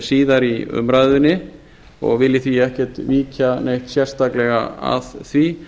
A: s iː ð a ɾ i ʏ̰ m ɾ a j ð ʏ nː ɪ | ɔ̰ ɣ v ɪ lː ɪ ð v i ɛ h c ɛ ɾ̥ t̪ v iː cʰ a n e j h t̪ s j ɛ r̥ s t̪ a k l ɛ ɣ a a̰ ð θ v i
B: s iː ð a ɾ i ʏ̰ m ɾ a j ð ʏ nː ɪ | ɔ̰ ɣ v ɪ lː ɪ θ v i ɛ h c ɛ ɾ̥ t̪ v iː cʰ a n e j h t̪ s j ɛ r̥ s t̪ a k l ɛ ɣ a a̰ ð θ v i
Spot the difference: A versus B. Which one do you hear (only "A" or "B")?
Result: B